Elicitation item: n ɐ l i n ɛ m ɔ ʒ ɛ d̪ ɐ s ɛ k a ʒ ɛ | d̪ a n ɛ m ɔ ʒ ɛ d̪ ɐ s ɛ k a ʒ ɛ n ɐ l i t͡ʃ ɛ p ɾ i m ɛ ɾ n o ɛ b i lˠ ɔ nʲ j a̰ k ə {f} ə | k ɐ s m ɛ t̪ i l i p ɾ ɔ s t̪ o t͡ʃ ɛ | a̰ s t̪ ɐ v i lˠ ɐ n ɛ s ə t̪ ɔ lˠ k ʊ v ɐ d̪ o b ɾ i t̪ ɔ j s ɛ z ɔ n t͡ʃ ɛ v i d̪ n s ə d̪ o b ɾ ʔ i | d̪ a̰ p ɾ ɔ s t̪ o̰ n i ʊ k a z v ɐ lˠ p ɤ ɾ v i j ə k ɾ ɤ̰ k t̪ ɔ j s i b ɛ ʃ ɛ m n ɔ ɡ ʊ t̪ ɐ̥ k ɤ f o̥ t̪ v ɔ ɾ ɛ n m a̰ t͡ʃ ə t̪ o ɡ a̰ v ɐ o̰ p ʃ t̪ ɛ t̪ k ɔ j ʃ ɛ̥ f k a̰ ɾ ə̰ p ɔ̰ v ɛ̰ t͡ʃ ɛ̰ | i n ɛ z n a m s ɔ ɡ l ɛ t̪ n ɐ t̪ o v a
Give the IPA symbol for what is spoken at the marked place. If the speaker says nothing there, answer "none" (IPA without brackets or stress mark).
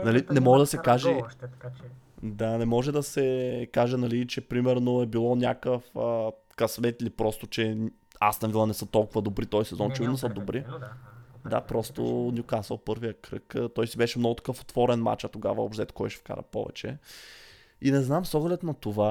f